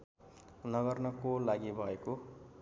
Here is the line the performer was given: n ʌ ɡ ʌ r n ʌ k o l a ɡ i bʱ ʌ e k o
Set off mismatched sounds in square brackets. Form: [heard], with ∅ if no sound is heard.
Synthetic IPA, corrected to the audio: n ʌ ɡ ʌ r n ʌ k o l a ɡ i bʱ ʌ e k o